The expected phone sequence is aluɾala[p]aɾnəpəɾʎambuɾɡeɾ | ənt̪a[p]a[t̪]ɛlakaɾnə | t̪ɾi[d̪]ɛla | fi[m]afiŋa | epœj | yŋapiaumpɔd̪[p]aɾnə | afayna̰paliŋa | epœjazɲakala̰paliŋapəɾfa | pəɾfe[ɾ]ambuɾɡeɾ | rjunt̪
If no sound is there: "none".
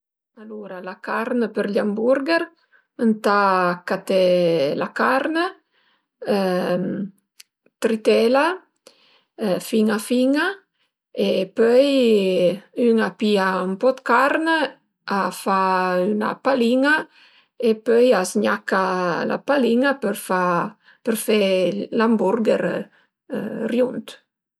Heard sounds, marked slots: k, k, t̪, t̪, ŋ, k, l

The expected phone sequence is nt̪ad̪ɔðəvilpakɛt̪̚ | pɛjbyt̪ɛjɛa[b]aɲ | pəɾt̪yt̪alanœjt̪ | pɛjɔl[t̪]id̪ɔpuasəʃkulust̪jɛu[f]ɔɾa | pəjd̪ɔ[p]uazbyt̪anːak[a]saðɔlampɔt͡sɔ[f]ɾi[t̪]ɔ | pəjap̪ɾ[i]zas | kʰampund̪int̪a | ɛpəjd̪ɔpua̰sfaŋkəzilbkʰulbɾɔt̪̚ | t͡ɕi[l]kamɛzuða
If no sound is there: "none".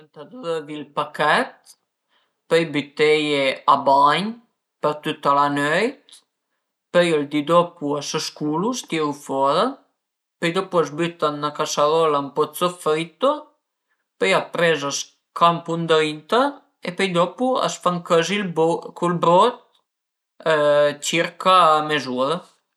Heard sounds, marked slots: b, d̪, f, p, a, f, t̪, ɛ, ɾ

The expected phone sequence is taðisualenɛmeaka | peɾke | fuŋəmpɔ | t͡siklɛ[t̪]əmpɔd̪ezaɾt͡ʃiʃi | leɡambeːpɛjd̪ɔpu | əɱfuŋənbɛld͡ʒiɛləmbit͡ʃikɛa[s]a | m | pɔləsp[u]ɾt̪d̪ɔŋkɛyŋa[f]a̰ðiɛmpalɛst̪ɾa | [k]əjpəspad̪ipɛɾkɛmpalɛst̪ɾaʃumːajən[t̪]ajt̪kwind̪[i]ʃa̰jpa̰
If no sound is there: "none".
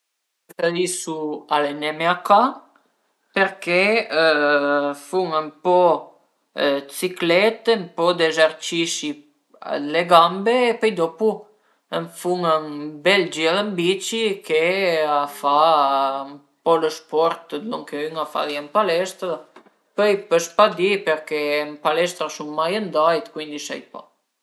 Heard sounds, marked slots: t̪, f, ɔ, f, p, d̪, i

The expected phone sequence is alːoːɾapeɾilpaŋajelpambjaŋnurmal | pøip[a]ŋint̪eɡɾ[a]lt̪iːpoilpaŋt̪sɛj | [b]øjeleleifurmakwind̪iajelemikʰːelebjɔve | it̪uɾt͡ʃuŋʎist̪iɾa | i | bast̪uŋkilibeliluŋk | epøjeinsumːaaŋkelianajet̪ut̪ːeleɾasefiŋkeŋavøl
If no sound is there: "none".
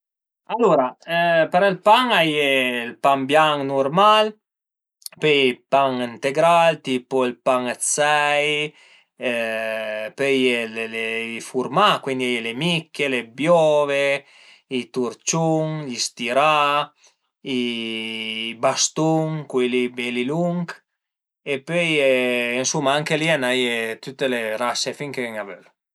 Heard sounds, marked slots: a, a, p

